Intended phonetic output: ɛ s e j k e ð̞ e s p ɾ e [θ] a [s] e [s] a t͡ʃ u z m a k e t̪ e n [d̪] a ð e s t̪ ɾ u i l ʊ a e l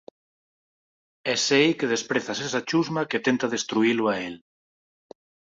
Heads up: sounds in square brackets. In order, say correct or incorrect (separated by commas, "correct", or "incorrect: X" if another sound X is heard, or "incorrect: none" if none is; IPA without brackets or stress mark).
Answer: correct, correct, correct, incorrect: t̪